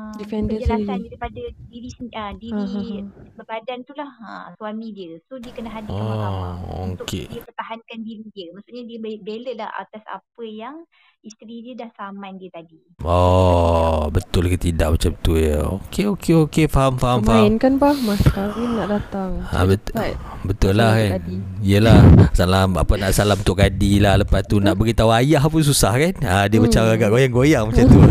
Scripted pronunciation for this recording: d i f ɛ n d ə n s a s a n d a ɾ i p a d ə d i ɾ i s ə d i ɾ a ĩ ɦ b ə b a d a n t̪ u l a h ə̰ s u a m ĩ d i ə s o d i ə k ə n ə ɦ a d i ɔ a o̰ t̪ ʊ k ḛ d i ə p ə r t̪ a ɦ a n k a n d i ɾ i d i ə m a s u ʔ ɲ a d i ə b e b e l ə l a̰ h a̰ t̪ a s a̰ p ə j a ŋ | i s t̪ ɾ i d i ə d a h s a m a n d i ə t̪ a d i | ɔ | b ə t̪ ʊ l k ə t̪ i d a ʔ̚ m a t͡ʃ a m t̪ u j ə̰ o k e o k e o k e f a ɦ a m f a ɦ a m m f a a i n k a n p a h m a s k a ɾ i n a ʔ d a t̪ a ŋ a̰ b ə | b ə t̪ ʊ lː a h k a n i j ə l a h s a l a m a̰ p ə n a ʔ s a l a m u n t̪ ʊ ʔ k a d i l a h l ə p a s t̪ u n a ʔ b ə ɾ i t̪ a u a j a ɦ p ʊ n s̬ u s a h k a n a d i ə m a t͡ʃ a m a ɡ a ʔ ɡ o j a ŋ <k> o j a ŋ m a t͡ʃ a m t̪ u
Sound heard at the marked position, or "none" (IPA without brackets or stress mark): ɡ